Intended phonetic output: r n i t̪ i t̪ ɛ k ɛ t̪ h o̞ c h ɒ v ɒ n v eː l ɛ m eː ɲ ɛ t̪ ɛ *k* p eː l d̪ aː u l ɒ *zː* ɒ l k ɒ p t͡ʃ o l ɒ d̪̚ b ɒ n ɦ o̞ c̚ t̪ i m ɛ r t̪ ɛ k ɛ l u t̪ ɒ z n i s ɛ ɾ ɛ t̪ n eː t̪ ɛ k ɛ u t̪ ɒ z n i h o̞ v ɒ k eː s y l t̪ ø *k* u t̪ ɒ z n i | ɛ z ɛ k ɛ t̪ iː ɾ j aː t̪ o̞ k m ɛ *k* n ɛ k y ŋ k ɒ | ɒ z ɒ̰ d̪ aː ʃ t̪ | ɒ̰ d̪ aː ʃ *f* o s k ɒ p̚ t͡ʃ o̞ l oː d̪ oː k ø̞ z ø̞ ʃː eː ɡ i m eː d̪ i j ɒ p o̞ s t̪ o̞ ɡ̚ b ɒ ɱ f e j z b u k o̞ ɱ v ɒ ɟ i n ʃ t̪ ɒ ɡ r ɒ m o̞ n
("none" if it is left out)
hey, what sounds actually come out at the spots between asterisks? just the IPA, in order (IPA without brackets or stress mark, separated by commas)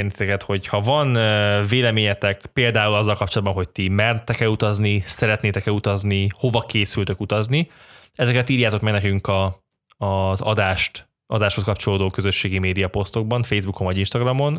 k, zː, k, ɡ, h